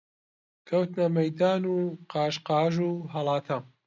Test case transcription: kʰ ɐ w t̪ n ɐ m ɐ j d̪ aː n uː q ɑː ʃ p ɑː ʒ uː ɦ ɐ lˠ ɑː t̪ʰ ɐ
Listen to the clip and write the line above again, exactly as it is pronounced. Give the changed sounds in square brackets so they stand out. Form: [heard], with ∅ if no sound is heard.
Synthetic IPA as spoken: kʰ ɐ w t̪ n ɐ m ɐ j d̪ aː n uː q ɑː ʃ [q] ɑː ʒ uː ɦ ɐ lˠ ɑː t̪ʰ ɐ